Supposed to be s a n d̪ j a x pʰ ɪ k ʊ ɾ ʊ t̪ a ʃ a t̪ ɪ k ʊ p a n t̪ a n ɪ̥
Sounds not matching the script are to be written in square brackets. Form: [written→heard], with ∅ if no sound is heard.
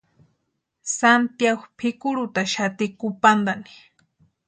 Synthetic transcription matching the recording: s a n [d̪→t̪] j a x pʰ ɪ k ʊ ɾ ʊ t̪ a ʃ a t̪ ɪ k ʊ p a n [t̪→d̪] a n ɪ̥